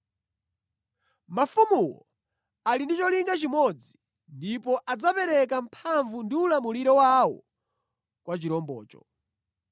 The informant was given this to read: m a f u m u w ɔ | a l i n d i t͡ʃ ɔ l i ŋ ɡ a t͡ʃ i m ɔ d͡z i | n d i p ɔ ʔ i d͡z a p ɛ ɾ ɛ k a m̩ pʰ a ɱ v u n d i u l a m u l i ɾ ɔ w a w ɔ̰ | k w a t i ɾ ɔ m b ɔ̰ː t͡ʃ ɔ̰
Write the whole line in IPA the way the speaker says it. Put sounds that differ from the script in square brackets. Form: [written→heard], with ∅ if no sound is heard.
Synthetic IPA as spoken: m a f u m u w ɔ | a l i n d i t͡ʃ ɔ l i ŋ ɡ a t͡ʃ i m ɔ d͡z i | n d i p ɔ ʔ [i→a] d͡z a p ɛ ɾ ɛ k a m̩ pʰ a ɱ v u n d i u l a m u l i ɾ ɔ w a w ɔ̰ | k w a [t→t͡ʃ] i ɾ ɔ m b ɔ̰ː t͡ʃ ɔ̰